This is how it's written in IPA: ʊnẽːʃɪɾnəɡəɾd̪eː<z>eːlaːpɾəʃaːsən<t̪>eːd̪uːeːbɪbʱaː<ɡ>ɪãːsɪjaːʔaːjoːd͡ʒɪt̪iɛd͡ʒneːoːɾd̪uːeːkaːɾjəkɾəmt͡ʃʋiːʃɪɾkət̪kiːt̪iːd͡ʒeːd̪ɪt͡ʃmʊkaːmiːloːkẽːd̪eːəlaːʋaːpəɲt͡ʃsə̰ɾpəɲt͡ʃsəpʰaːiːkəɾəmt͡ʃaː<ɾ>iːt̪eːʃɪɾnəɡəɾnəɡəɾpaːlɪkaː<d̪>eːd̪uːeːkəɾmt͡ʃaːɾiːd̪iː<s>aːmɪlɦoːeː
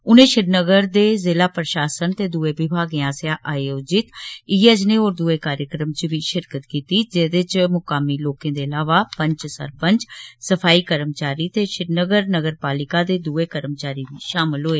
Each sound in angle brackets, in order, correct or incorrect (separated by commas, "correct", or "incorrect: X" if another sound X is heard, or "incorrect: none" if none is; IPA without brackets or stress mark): correct, correct, correct, correct, correct, incorrect: ʃ